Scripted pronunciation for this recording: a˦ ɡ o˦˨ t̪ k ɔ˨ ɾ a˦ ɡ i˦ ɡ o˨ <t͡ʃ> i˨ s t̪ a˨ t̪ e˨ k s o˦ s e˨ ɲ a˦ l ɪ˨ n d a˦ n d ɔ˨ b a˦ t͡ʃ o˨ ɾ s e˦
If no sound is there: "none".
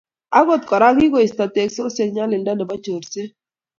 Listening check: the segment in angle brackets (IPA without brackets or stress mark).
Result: none